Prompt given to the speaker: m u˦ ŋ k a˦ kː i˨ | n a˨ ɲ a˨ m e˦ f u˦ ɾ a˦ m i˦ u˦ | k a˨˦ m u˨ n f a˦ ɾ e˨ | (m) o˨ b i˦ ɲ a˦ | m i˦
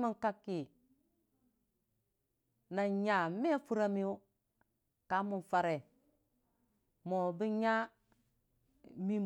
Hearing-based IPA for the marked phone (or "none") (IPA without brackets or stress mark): m